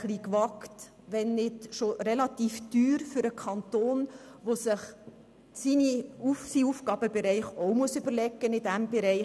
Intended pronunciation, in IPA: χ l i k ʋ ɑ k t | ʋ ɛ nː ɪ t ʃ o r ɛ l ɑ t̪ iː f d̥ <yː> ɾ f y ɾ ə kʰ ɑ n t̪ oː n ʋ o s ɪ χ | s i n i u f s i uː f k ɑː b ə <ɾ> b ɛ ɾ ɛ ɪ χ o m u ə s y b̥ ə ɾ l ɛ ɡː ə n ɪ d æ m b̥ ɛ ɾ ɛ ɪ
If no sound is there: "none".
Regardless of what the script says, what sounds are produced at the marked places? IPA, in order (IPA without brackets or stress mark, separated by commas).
yː, none